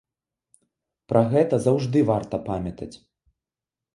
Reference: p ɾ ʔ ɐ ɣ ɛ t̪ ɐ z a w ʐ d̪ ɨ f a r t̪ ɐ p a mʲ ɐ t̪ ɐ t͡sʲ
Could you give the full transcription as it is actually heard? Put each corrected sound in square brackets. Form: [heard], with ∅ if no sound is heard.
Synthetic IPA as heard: p ɾ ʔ ɐ ɣ ɛ t̪ ɐ z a w ʐ d̪ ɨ [v] a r t̪ ɐ p a mʲ ɐ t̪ ɐ t͡sʲ

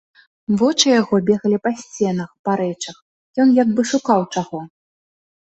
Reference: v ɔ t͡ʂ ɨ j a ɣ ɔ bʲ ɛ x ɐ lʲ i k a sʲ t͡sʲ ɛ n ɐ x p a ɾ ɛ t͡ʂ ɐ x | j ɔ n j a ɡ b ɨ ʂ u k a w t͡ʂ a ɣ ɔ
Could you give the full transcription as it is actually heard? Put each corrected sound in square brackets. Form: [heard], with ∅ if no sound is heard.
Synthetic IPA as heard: v ɔ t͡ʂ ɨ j a ɣ ɔ bʲ ɛ [ɣ] ɐ lʲ i [p] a sʲ t͡sʲ ɛ n ɐ x p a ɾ ɛ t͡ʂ ɐ x | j ɔ n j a ɡ b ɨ ʂ u k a w t͡ʂ a ɣ ɔ

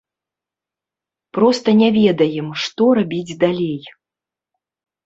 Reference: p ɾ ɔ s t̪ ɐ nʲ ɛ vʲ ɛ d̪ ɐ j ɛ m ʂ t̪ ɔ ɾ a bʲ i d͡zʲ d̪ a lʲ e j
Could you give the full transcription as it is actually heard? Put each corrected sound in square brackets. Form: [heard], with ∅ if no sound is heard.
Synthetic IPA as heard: p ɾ ɔ s t̪ ɐ nʲ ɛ vʲ ɛ d̪ ɐ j ɛ m ʂ t̪ ɔ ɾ a bʲ i d͡zʲ d̪ a lʲ e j

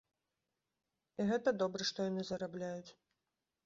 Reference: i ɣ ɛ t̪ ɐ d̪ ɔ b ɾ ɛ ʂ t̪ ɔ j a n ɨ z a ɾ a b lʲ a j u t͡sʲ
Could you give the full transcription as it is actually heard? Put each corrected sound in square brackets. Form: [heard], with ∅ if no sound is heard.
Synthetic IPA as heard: i ɣ ɛ t̪ ɐ d̪ ɔ b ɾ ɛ ʂ t̪ ɔ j a n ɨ z [ɐ] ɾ a b lʲ a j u t͡sʲ

